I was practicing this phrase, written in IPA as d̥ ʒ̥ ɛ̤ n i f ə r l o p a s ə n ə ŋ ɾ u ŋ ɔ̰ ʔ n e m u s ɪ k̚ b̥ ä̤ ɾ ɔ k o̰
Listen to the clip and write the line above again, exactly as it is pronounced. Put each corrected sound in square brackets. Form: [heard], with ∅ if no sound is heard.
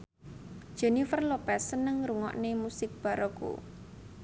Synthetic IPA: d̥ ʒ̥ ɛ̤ n i f ə r l o p [ɛ] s ə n ə ŋ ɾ u ŋ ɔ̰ ʔ n e m u s ɪ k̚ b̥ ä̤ ɾ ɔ k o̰